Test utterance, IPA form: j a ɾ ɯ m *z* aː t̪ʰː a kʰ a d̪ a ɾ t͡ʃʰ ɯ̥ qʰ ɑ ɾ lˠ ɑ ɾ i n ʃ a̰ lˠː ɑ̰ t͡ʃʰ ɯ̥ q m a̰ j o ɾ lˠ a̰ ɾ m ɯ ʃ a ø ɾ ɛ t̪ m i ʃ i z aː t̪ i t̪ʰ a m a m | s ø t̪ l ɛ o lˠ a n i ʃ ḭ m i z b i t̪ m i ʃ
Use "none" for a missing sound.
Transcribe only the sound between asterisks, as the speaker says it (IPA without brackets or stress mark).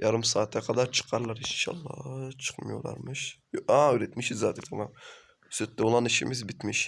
s